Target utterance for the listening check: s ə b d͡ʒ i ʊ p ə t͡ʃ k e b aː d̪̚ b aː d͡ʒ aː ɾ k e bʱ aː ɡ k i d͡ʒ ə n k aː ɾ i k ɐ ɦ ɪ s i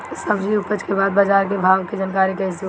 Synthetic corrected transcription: s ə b d͡ʒ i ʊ p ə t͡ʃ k e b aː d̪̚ b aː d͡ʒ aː ɾ k e bʱ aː ɡ k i d͡ʒ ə n k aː ɾ i k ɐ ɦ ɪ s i